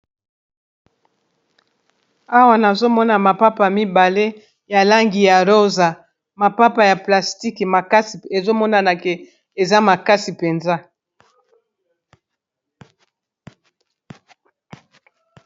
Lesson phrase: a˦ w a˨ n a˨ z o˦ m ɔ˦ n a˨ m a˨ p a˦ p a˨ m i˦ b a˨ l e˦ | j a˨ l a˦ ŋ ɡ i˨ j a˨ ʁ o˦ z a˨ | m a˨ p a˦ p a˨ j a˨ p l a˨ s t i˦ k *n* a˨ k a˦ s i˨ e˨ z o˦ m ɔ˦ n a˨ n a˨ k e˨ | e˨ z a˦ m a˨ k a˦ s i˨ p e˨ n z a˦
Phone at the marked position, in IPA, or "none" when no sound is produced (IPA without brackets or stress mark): m